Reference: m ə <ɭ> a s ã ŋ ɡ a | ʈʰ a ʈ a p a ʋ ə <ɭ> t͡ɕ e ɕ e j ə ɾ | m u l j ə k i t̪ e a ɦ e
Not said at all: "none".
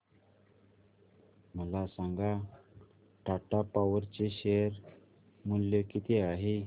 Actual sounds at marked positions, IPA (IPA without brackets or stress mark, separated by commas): l, ɾ